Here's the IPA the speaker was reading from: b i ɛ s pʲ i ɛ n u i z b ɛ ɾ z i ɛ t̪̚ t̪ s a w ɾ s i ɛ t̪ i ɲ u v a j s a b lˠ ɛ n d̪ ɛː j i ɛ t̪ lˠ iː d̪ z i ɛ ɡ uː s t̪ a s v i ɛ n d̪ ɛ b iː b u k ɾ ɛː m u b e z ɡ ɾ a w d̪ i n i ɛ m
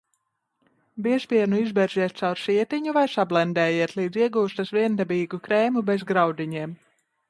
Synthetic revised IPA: b i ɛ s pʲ i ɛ n u i z b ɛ ɾ z i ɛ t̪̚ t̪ s a w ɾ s i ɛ t̪ i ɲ u v a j s a b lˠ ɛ n d̪ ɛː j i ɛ t̪ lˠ iː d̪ z i ɛ ɡ uː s t̪ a s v i ɛ n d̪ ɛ b iː ɡ u k ɾ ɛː m u b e z ɡ ɾ a w d̪ i ɲ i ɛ m

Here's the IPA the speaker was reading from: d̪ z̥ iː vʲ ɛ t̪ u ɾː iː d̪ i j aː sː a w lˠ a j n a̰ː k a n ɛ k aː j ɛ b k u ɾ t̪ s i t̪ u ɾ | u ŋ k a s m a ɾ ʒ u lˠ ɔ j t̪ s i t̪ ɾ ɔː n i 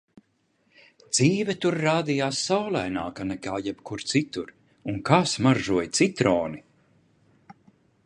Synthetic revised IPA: d̪ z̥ iː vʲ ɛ t̪ u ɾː aː d̪ i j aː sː a w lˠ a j n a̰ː k a n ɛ k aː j ɛ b k u ɾ t̪ s i t̪ u ɾ | u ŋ k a s m a ɾ ʒ u ɔ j t̪ s i t̪ ɾ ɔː n i

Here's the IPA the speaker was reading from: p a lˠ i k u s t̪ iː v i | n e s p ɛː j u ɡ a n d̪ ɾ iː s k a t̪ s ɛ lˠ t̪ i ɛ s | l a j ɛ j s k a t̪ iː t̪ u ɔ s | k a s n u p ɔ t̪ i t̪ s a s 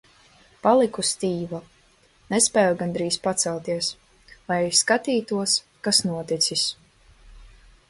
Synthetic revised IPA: p a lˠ i k u s t̪ iː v a | n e s p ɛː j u ɡ a n d̪ ɾ iː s p a t̪ s ɛ lˠ t̪ i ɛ s | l a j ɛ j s k a t̪ iː t̪ u ɔ s | k a s n u ɔ t̪ i t̪ s i s

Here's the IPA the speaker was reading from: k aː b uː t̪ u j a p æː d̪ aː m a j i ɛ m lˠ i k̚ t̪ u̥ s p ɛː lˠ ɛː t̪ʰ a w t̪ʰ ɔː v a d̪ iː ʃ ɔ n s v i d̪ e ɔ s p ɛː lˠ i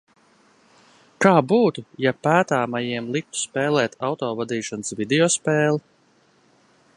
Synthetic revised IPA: k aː b uː t̪ u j a p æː t̪ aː m a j i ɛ m lˠ i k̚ t̪ u̥ s p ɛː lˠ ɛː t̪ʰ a w t̪ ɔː v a d̪ iː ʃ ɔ n s v i d̪ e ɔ s p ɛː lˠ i

